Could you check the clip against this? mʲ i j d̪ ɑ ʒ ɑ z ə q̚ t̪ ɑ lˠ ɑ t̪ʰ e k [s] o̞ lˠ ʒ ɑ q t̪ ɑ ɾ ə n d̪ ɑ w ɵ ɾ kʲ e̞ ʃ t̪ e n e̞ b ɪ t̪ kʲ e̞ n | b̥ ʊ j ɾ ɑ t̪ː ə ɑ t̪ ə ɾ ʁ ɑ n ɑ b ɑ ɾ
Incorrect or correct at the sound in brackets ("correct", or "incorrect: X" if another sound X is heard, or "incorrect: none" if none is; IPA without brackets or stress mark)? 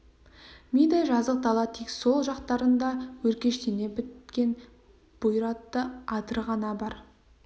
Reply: correct